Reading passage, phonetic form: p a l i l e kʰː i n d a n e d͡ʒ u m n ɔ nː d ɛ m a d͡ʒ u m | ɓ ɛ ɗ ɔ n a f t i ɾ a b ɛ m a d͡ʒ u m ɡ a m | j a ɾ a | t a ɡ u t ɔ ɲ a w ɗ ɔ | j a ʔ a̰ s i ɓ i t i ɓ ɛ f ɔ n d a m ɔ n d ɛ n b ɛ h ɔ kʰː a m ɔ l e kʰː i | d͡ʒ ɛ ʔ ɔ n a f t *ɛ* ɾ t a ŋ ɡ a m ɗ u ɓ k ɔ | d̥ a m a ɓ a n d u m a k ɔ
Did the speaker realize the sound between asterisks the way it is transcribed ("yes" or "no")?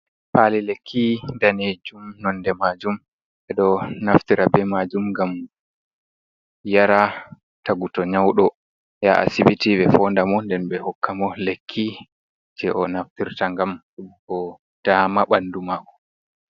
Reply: no